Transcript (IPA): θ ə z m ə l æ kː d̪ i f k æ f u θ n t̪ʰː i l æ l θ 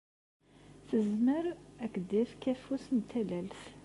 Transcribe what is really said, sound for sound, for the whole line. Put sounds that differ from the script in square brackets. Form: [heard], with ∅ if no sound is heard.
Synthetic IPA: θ ə z m ə [ɾ] æ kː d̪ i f k æ f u [s] n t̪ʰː [æ] l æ l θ